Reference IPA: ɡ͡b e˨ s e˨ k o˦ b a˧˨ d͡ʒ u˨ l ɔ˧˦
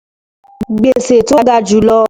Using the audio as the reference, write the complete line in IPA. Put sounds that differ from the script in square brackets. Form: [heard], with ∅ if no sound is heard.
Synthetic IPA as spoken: ɡ͡b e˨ s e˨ [t] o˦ [ɡ] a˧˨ d͡ʒ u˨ l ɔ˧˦